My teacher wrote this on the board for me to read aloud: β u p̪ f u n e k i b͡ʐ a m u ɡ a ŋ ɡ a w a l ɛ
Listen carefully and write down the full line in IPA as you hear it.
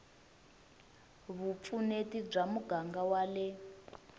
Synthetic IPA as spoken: β u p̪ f u n e t i b͡ʐ a m u ɡ a ŋ ɡ a w a l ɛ